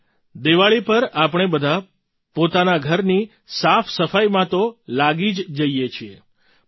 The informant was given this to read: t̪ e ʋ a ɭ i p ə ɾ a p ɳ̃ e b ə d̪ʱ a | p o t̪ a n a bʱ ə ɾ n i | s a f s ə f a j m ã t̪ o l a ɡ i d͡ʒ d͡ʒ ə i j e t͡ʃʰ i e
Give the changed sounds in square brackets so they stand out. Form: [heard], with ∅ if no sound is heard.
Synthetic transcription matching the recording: [d̪] e ʋ a ɭ i p ə ɾ a p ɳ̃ e b ə d̪ʱ a | p o t̪ a n a [ɡʱ] ə ɾ n i | s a f s ə f a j m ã t̪ o l a ɡ i d͡ʒ d͡ʒ ə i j e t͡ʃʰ i e